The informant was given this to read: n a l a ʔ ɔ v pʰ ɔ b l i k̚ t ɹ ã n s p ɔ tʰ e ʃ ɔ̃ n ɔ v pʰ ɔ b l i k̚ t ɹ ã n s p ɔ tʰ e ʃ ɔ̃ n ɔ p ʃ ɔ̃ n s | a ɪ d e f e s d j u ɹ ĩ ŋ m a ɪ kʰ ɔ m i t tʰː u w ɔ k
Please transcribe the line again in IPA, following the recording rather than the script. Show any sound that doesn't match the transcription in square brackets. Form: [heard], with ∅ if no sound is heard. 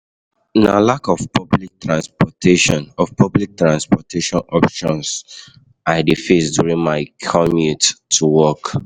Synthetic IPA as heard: n a l a [k] ɔ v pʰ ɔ b l i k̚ t ɹ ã n s p ɔ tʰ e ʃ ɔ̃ n ɔ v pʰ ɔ b l i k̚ t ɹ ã n s p ɔ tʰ e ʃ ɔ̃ n ɔ p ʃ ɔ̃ n s | a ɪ d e f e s d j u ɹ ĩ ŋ m a ɪ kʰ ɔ m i t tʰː u w ɔ k